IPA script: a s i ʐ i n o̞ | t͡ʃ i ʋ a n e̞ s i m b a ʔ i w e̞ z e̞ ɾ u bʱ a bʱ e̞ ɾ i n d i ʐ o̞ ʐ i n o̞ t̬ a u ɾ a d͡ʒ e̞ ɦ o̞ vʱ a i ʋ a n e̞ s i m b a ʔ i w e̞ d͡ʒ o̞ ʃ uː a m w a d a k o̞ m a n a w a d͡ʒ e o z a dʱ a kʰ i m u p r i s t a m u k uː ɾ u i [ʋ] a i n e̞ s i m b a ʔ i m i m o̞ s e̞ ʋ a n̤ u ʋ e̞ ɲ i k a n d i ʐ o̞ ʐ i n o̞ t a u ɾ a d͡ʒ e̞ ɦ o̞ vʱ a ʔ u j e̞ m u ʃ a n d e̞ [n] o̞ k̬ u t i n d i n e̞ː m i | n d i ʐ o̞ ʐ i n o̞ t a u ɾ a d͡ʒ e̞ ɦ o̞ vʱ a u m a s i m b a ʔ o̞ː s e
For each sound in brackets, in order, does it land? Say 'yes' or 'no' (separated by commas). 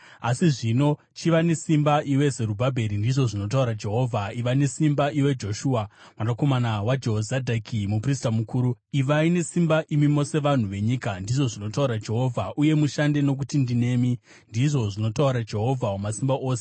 yes, yes